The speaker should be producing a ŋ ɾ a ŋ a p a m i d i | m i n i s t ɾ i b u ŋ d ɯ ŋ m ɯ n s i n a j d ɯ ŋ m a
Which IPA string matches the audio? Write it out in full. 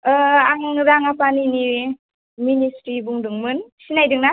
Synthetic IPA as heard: a ŋ ɾ a ŋ a p a n i n i | m i n i s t ɾ i b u ŋ d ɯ ŋ m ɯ n s i n a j d ɯ ŋ n a